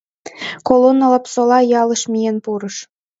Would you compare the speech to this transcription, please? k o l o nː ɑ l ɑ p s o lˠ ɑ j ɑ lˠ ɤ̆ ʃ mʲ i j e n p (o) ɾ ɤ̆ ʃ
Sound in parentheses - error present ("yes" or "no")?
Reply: yes